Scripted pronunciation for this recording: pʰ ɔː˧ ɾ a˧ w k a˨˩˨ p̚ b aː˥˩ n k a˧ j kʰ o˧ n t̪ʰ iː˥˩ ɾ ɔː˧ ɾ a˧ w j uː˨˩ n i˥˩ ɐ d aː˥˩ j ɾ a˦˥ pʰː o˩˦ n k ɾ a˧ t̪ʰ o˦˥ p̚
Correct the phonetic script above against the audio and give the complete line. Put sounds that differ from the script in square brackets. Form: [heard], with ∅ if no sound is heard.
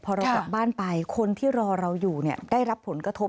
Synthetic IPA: pʰ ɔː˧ ɾ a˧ w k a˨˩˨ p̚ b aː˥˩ n [p] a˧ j kʰ o˧ n t̪ʰ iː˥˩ ɾ ɔː˧ ɾ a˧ w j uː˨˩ n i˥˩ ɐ d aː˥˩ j ɾ a˦˥ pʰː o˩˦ n k ɾ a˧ t̪ʰ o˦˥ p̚